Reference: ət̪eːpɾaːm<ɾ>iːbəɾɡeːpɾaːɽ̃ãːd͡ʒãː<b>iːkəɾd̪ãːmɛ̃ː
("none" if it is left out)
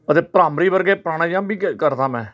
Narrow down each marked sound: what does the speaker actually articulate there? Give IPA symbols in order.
ɾ, b

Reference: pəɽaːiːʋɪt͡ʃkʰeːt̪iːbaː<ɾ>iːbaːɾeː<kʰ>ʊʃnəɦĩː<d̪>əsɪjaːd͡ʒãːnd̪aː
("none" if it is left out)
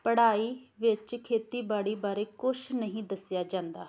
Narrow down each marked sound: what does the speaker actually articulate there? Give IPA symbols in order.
ɽ, k, d̪

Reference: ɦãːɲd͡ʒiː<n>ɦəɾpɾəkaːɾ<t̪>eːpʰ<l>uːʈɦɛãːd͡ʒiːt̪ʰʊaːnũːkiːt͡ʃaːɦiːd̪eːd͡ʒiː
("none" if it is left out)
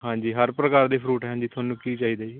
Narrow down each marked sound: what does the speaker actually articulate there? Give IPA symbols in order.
none, d̪, ɾ

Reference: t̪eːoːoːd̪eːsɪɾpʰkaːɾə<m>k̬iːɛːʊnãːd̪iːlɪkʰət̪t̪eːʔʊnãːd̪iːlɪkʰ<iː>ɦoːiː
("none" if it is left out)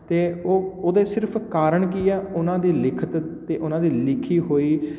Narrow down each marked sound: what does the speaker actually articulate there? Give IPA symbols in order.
ɳ, iː

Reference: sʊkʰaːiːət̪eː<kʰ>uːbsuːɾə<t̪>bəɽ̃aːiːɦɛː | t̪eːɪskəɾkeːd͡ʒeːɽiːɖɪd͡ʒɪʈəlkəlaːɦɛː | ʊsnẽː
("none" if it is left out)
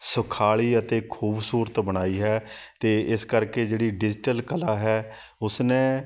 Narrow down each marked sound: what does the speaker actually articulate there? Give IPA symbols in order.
kʰ, t̪

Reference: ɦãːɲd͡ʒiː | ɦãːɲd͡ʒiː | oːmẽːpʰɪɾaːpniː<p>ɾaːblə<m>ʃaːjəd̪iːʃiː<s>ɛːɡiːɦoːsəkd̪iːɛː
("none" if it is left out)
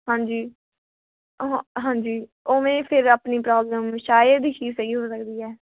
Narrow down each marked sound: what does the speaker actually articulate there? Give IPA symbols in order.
p, m, s

